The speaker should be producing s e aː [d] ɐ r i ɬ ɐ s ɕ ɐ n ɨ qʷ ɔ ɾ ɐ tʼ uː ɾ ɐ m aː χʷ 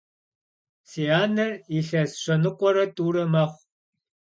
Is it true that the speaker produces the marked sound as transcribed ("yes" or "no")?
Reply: no